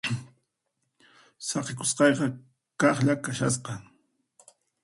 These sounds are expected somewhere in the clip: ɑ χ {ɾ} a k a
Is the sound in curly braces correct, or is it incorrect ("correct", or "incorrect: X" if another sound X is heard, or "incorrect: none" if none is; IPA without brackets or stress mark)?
incorrect: ʎ